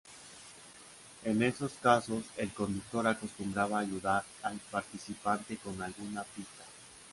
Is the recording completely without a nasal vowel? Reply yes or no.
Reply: yes